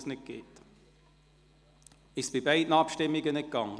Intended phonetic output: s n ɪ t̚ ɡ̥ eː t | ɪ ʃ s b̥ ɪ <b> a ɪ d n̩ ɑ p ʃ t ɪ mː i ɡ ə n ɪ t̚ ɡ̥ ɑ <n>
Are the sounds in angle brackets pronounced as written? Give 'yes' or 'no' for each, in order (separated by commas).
yes, no